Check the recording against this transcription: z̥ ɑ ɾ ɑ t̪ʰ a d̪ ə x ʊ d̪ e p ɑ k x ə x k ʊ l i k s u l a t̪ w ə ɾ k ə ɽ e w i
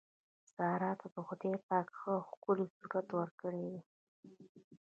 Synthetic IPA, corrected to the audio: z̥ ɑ ɾ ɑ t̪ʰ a d̪ ə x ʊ d̪ e p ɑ k x ə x k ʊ l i s u ɾ a t̪ w ə ɾ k ə ɽ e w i

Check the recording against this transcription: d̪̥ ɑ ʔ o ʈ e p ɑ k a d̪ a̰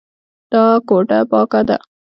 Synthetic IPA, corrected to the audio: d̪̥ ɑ k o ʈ a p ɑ k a d̪ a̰

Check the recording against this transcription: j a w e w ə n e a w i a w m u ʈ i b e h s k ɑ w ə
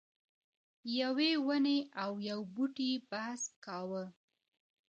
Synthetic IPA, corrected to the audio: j a w e w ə n e a w j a w b u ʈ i b a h s k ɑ w ə

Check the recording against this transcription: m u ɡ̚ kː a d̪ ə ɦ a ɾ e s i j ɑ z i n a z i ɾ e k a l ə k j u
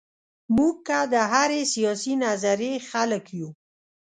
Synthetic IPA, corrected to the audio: m u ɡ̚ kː a d̪ ə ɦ a ɾ e s i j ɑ s i n a z a ɾ e x a l ə k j u

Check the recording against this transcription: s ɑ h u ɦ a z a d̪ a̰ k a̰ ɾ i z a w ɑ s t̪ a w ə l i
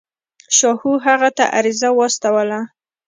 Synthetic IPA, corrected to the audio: ʃ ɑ h u ɦ a ɣ a t̪ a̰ ʔ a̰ ɾ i z a w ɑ s t̪ a w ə l a

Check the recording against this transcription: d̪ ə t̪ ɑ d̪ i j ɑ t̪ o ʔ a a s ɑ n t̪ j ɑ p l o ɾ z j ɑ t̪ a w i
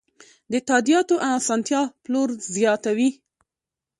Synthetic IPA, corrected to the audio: d̪ ə t̪ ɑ d̪ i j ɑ t̪ o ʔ a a s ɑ n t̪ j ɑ p l o ɾ z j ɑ t̪ a w i

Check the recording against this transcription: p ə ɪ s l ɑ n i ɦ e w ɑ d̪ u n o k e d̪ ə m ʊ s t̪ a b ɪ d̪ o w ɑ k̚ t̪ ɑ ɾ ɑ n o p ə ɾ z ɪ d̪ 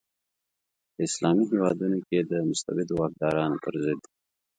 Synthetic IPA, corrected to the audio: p ə ɪ s l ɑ m i ɦ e w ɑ d̪ u n o k e d̪ ə m ʊ s t̪ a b ɪ d̪ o w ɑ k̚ d̪ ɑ ɾ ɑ n o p ə ɾ z ɪ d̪

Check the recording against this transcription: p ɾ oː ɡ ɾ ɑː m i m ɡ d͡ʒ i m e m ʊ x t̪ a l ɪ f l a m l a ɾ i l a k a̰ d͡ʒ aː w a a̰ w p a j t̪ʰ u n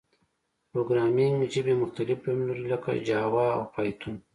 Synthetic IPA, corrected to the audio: p ɾ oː ɡ ɾ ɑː m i ŋ ɡ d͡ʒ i b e m ʊ x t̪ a l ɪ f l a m l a ɾ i l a k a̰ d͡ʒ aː w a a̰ w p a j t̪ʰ u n

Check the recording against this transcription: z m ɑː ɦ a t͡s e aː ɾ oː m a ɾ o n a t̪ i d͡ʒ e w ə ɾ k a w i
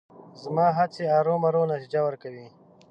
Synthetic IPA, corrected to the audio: z m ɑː ɦ a t͡s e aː ɾ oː m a ɾ o n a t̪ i d͡ʒ a w ə ɾ k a w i

